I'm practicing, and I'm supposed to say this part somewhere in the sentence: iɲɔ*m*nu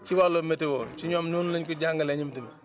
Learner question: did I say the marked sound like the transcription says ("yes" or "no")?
yes